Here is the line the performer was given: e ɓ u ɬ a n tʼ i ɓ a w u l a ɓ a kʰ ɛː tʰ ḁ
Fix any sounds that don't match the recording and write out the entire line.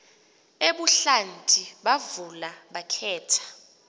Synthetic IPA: e ɓ u ɬ a n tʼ i ɓ a v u l a ɓ a kʰ ɛː tʰ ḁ